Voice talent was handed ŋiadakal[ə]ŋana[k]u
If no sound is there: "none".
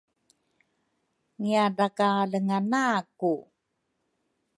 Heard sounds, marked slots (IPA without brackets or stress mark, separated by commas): ə, k